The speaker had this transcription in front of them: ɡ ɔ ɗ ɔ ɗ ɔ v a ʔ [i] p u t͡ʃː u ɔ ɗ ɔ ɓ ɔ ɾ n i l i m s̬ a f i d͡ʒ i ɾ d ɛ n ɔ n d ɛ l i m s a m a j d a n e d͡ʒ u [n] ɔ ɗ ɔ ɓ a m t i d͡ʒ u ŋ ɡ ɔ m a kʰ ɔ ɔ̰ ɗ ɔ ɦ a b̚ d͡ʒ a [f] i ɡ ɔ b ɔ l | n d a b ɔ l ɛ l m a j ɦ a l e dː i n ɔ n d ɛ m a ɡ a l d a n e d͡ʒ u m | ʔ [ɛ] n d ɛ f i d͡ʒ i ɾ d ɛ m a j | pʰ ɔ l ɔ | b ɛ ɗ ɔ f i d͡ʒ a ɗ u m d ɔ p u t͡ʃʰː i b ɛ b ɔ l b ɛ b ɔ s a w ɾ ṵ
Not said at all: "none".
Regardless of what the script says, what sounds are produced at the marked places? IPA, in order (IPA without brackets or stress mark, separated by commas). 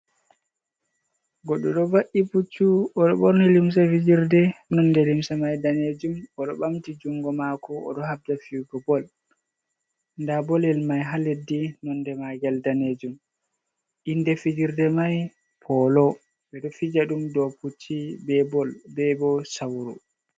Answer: i, m, f, i